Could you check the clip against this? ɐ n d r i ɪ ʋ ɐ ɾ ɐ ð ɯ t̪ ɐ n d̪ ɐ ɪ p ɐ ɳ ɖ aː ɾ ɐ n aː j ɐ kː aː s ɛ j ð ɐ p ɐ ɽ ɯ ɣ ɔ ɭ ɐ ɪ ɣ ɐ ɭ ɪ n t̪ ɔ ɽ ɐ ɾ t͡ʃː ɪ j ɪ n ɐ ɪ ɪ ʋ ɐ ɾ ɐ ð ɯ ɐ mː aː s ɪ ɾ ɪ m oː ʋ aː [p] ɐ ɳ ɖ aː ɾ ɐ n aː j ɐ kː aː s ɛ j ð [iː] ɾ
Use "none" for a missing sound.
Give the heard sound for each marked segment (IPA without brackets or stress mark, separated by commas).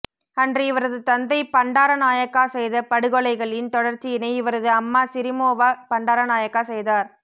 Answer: p, aː